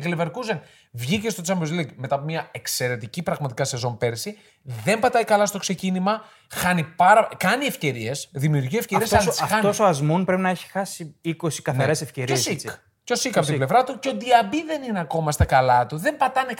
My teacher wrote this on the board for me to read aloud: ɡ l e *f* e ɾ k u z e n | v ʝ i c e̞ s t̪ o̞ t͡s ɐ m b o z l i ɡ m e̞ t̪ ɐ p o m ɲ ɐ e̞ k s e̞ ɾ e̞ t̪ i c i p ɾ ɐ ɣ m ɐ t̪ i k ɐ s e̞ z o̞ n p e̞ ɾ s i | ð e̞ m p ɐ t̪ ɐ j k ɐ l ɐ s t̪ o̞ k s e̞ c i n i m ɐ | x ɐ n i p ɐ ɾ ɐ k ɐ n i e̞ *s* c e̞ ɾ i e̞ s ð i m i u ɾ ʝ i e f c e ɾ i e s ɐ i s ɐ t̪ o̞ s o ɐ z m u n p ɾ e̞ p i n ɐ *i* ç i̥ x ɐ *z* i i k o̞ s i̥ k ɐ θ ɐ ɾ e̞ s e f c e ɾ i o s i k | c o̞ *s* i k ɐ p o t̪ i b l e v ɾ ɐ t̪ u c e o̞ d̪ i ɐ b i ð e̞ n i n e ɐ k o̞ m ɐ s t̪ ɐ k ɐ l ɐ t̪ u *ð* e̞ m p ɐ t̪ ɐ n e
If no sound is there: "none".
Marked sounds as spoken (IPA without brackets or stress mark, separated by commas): v, f, e, s, s, ð